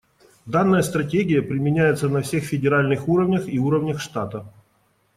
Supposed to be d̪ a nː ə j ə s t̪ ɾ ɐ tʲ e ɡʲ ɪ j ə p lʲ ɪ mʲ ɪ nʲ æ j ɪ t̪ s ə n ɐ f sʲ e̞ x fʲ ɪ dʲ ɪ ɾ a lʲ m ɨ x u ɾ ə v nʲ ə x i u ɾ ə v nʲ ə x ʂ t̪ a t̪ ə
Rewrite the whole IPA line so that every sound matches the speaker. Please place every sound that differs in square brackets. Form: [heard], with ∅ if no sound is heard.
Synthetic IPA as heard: d̪ a nː ə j ə s t̪ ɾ ɐ tʲ e ɡʲ ɪ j ə p [ɾʲ] ɪ mʲ ɪ nʲ æ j ɪ t̪ s ə n ɐ f sʲ e̞ x fʲ ɪ dʲ ɪ ɾ a lʲ [n] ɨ x u ɾ ə v nʲ ə x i u ɾ ə v nʲ ə x ʂ t̪ a t̪ ə